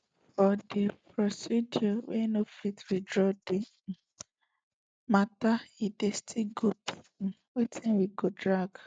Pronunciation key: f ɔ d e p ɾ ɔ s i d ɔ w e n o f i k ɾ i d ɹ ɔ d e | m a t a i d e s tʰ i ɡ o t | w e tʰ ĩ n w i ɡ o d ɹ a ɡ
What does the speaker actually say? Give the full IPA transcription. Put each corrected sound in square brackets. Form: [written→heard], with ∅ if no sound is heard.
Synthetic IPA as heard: f ɔ d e p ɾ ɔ s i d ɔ w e n o f i [k→t] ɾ i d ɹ ɔ d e | m a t a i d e s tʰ i ɡ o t | w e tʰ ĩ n w i ɡ o d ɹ a ɡ